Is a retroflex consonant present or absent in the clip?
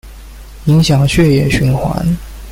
absent